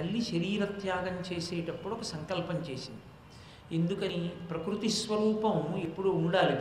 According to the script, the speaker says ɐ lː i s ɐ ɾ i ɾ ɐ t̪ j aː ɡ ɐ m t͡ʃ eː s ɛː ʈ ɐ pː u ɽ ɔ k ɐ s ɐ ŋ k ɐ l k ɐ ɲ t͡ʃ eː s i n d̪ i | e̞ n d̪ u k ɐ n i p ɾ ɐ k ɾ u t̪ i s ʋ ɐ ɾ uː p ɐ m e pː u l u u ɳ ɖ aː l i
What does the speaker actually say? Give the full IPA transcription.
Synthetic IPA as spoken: ɐ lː i ʃ ɐ ɾ iː ɾ ɐ t̪ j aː ɡ ɐ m t͡ʃ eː s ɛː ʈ ɐ pː u ɽ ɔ k ɐ s ɐ ŋ k ɐ l p ɐ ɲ t͡ʃ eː s i n d̪ i | e̞ n d̪ u k ɐ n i p ɾ ɐ k ɾ u t̪ i s ʋ ɐ ɾ uː p ɐ m e pː u ɽ u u ɳ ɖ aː l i